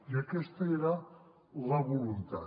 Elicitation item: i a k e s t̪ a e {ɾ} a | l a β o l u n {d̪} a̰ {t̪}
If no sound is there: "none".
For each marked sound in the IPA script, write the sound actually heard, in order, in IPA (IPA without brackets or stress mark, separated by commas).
ɾ, t̪, none